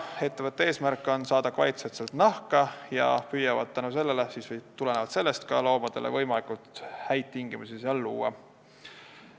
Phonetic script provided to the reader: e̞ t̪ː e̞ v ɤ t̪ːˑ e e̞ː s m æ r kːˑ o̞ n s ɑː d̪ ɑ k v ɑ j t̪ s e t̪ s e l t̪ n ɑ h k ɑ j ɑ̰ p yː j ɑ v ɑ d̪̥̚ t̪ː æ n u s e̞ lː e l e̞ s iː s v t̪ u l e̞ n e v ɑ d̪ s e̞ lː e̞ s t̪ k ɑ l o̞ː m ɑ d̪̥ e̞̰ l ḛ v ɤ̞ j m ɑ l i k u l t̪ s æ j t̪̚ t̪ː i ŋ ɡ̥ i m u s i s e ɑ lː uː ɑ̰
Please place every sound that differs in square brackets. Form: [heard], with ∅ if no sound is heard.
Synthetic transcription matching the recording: e̞ t̪ː e̞ v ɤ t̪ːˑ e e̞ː s m æ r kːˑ o̞ n s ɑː d̪ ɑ k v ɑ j t̪ s e t̪ s e l t̪ n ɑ h k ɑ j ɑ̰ p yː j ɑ v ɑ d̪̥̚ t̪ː æ n u s e̞ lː e l e̞ s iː s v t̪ u l e̞ n e v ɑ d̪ s e̞ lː e̞ s t̪ k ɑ l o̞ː m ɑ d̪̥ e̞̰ l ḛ v ɤ̞ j m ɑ l i k u l t̪ [h] æ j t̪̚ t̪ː i ŋ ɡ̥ i m u s i s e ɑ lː uː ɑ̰